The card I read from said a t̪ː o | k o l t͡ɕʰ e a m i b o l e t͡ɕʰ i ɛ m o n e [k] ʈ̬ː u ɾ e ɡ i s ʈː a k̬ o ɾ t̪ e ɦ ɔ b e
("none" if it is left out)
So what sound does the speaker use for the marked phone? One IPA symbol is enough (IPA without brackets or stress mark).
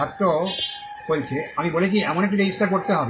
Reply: k